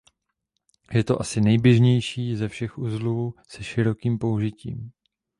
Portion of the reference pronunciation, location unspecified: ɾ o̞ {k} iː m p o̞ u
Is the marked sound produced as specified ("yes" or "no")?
yes